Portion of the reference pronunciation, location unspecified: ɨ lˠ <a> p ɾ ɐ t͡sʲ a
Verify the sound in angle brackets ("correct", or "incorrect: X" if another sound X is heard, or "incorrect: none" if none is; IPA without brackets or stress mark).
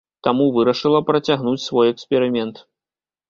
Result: incorrect: ɐ